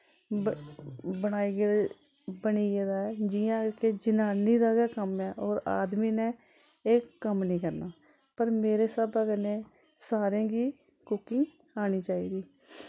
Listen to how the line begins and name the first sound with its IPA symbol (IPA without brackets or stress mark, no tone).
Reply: b